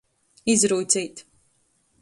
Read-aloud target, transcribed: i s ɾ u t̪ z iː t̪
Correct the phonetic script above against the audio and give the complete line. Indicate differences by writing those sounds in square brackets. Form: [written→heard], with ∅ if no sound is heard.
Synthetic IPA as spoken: i [s→z] ɾ [u→uː] t̪ [z→s] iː t̪